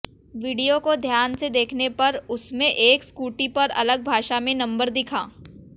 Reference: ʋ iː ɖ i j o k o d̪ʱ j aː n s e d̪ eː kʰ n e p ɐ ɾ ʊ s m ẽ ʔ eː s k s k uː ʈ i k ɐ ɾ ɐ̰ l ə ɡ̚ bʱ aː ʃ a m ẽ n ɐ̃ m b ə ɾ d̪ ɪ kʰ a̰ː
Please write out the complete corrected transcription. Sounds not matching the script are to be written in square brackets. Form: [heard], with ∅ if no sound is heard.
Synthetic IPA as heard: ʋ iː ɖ i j o k o d̪ʱ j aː n s e d̪ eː kʰ n e p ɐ ɾ ʊ s m ẽ ʔ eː [∅] k s k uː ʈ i [p] ɐ ɾ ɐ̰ l ə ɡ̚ bʱ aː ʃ a m ẽ n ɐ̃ m b ə ɾ d̪ ɪ kʰ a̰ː